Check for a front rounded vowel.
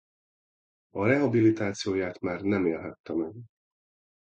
absent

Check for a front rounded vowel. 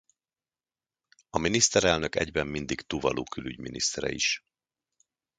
present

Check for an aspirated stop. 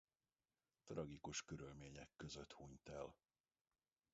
absent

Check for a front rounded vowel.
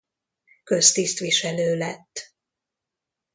present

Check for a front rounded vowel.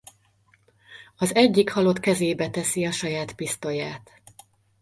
absent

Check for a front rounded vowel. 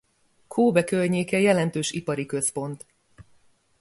present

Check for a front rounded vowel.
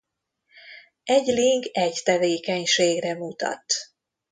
absent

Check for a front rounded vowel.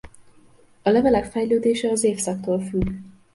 present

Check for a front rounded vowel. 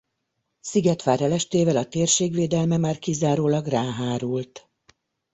absent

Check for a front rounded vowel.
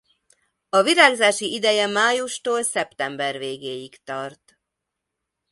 absent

